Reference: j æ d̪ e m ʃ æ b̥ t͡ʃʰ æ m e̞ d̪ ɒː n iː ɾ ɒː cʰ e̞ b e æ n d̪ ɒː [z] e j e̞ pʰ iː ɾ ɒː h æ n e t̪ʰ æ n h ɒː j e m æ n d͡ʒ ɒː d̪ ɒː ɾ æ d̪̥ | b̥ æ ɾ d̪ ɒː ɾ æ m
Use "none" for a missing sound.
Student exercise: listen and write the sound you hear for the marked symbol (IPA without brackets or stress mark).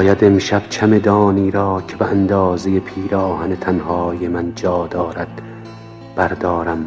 z